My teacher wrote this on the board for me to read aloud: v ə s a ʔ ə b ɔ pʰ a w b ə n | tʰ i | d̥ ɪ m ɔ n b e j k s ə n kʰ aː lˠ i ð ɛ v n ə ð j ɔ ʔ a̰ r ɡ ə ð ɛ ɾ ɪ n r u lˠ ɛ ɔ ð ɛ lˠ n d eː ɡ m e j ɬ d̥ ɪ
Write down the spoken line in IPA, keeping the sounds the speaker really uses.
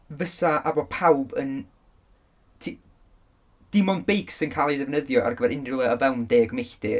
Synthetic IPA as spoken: v ə s a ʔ a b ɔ pʰ a w b ə n | tʰ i | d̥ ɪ m ɔ n b e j k s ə n kʰ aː lˠ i ð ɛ v n ə ð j ɔ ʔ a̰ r ɡ ə v ɛ ɾ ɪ n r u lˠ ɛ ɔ v ɛ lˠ n d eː ɡ m e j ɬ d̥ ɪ